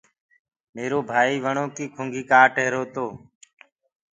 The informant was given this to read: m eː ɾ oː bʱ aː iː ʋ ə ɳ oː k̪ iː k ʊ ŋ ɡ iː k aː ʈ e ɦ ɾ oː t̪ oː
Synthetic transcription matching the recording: m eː ɾ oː bʱ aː iː ʋ ə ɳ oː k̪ iː kʰ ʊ ŋ ɡ iː k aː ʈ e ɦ ɾ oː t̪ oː